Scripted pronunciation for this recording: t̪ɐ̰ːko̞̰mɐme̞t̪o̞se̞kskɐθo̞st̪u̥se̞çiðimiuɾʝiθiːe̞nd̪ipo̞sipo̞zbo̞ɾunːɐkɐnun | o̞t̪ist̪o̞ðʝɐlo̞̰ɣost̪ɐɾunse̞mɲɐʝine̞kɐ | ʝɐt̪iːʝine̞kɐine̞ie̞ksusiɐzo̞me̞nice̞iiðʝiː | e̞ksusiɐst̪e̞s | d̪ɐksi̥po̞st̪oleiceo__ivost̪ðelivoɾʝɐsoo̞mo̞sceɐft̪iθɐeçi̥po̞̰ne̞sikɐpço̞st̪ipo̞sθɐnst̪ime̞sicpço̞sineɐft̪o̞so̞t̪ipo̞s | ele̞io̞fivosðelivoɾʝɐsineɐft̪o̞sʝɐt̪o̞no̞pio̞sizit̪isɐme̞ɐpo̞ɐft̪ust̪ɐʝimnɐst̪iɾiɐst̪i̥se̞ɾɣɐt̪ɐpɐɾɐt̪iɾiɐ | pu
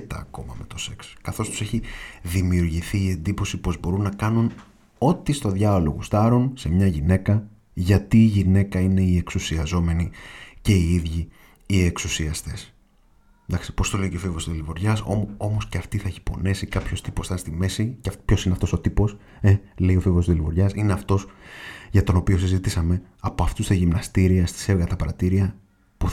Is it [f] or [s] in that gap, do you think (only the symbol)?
f